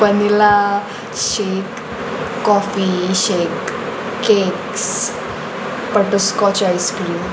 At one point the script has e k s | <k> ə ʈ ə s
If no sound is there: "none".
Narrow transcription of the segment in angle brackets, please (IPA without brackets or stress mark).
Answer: p